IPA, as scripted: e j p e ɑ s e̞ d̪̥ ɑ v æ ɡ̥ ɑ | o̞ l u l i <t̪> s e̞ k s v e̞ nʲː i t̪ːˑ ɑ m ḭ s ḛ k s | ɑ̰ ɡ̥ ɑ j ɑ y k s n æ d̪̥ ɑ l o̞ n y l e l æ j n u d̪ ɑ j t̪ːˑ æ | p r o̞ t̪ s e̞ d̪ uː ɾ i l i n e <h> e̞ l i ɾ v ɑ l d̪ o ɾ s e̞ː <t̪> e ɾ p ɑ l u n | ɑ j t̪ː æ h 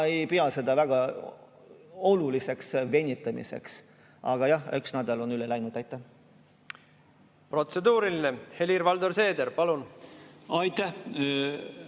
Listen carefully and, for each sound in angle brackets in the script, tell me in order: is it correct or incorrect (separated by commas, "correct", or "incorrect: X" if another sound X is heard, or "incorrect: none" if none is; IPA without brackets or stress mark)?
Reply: incorrect: none, correct, incorrect: d̪